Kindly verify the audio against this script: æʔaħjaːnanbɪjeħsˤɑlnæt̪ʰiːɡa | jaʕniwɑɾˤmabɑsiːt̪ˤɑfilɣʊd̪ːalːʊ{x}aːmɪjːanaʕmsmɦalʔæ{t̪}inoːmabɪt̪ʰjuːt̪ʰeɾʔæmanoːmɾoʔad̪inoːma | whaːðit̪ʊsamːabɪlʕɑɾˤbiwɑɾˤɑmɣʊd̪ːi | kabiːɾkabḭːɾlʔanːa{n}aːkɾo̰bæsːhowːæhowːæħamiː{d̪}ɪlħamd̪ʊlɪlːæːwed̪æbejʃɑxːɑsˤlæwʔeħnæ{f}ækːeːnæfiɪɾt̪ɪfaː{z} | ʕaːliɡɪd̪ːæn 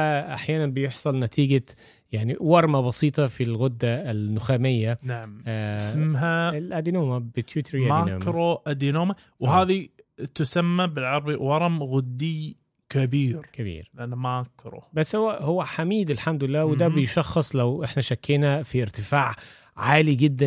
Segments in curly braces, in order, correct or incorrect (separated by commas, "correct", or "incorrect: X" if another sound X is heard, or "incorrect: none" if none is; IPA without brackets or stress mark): correct, incorrect: d̪, incorrect: m, correct, incorrect: ʃ, incorrect: ʕ